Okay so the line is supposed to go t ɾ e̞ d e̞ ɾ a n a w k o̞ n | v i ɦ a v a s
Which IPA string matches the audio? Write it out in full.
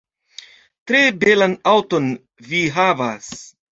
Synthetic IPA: t ɾ e̞ b e̞ l a n a w t o̞ n | v i ɦ a v a s

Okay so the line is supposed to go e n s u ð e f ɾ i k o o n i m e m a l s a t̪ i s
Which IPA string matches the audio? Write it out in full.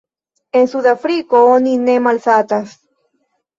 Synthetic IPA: e n s u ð a f ɾ i k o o n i n e m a l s a t̪ a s

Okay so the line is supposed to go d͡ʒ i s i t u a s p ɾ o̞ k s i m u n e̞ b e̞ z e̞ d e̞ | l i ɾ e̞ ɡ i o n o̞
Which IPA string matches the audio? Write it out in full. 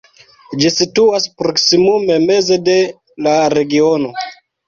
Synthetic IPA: d͡ʒ i s i t u a s p ɾ o̞ k s i m u m e̞ m e̞ z e̞ d e̞ | l a ɾ e̞ ɡ i o n o̞

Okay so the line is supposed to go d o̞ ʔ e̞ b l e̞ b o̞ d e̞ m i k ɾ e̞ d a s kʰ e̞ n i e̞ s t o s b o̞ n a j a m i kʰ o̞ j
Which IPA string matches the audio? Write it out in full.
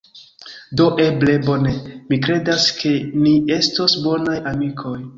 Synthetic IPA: d o̞ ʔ e̞ b l e̞ b o̞ n e̞ m i k ɾ e̞ d a s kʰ e̞ n i e̞ s t o s b o̞ n a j a m i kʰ o̞ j

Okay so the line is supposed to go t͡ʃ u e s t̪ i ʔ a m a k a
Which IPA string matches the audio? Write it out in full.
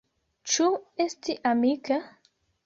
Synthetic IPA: t͡ʃ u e s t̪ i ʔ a m i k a

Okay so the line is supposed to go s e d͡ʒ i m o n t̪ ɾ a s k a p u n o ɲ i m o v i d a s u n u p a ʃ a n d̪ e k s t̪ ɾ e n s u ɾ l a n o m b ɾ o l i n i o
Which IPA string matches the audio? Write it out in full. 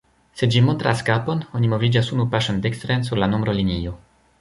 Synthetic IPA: s e d͡ʒ i m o n t̪ ɾ a s k a p o n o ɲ i m o v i d͡ʒ a s u n u p a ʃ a n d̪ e k s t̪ ɾ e n s u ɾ l a n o m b ɾ o l i n i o

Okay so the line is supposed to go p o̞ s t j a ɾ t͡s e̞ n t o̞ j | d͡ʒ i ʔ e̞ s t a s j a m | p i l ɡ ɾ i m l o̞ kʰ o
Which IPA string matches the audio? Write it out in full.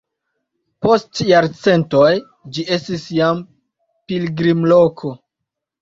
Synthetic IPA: p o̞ s t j a ɾ t͡s e̞ n t o̞ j | d͡ʒ i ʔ e̞ s t i s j a m | p i l ɡ ɾ i m l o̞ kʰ o

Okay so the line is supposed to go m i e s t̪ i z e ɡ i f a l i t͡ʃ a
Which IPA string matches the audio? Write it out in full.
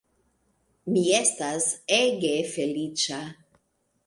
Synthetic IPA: m i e s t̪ a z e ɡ e f e l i t͡ʃ a

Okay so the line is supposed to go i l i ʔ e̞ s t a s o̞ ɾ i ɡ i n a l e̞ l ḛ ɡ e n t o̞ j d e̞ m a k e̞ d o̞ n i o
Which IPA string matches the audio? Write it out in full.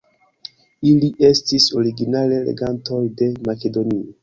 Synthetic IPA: i l i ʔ e̞ s t i s o̞ ɾ i ɡ i n a l e̞ l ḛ ɡ a n t o̞ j d e̞ m a k e̞ d o̞ n i o

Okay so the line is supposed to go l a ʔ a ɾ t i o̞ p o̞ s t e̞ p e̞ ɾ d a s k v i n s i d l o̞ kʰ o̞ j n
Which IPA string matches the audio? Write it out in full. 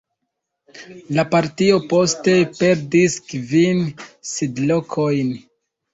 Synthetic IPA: l a p a ɾ t i o̞ p o̞ s t e̞ p e̞ ɾ d i s k v i n s i d l o̞ kʰ o̞ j n

